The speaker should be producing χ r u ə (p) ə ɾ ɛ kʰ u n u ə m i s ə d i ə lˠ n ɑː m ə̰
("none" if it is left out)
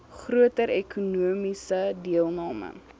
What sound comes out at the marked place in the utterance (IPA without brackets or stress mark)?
t